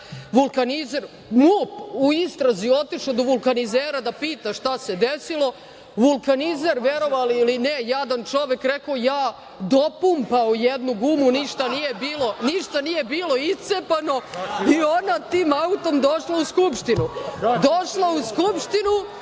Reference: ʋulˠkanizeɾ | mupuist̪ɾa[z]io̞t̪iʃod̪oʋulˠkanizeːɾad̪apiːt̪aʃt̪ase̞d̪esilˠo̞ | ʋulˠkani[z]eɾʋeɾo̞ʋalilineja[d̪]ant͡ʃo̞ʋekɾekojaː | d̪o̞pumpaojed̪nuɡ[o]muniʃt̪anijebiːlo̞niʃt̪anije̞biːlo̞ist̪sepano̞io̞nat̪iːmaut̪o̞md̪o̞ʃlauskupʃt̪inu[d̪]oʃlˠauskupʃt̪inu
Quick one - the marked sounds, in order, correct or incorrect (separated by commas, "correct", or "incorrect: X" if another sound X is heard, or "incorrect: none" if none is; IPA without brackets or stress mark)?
correct, correct, correct, incorrect: u, correct